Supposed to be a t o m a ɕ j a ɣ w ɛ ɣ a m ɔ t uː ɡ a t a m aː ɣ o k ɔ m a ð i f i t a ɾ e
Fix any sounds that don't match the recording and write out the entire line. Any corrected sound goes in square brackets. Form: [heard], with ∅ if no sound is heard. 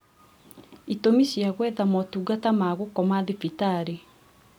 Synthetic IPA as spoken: [i] t o m [i] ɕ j a ɣ w ɛ [ð] a m ɔ t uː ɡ a t a m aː ɣ o k ɔ m a ð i f i t a ɾ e